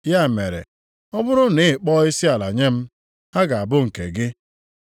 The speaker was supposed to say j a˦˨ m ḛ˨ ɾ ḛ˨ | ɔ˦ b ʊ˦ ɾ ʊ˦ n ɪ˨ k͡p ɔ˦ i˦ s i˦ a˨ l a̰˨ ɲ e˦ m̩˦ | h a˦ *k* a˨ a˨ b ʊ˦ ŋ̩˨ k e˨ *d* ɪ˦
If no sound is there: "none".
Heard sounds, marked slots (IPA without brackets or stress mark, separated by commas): ɡ, ɡ